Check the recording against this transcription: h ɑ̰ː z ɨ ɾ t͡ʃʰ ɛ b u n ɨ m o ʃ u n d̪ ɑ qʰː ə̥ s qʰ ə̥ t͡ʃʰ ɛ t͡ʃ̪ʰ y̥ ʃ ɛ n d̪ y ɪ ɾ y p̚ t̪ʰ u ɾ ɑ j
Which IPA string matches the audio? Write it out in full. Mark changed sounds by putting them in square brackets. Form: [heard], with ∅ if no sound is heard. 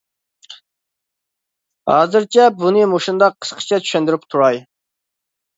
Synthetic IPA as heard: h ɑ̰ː z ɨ ɾ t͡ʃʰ ɛ b u n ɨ m o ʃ u n d̪ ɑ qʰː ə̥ s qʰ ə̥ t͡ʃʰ ɛ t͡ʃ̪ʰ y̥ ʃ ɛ n d̪ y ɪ ɾ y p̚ t̪ʰ u ɾ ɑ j